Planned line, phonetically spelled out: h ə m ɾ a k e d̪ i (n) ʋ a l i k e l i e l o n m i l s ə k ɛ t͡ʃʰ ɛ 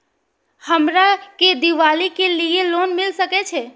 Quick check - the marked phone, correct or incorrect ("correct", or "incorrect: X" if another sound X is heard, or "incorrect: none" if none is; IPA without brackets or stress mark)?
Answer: incorrect: none